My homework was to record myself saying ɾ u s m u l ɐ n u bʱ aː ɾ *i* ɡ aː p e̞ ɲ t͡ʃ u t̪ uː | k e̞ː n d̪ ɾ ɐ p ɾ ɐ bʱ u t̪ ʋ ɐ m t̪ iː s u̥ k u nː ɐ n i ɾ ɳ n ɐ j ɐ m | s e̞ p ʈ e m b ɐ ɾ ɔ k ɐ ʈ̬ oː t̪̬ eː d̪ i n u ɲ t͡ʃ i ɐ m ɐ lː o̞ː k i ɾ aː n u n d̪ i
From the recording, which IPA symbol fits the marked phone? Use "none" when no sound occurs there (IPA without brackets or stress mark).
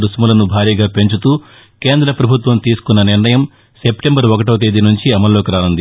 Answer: iː